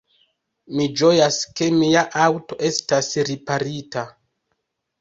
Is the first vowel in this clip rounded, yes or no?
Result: no